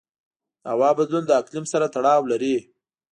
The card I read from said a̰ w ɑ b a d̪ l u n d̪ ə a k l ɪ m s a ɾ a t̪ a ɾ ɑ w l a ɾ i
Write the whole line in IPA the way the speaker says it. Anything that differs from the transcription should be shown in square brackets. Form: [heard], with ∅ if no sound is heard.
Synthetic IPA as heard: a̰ w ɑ b a d̪ l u n d̪ ə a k l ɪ m s a ɾ a t̪ a [ɽ] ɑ w l a ɾ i